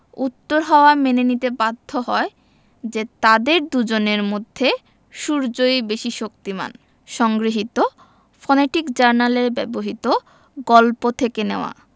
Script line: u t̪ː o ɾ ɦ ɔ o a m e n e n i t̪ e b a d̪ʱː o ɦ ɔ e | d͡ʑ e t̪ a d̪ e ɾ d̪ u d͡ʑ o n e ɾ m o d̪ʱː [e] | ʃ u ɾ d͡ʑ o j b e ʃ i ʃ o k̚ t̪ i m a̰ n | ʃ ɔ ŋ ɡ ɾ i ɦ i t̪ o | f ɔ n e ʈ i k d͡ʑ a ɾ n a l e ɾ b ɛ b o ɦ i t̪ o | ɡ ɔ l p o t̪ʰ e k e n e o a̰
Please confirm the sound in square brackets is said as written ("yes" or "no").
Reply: yes